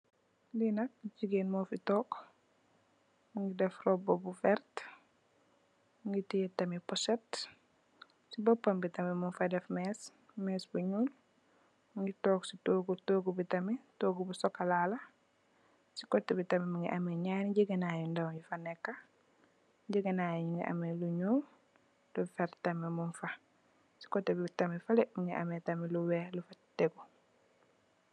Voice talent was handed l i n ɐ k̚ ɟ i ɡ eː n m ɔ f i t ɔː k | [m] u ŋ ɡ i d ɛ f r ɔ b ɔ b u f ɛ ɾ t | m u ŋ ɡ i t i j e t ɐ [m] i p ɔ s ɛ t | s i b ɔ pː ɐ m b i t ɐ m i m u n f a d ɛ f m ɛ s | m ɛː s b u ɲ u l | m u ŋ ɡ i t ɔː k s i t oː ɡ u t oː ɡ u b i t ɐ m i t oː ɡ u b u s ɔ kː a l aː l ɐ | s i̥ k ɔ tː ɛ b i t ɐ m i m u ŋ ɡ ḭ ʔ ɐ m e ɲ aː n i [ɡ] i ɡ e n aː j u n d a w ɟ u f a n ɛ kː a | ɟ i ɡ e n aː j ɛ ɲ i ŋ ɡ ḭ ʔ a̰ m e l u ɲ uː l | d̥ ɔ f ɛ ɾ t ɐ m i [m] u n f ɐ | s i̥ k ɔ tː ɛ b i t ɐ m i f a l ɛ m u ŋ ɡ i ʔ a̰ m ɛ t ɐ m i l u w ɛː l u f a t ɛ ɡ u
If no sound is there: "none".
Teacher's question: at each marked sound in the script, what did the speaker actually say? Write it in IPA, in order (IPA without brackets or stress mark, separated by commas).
m, m, ɟ, m